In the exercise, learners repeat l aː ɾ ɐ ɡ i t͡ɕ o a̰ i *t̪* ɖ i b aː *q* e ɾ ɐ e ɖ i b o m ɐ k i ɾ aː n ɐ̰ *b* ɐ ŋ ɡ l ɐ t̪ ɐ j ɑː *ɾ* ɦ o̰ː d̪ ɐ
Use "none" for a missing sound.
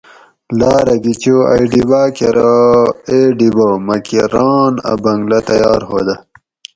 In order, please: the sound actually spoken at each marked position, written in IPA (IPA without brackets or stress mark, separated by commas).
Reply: none, k, b, ɾ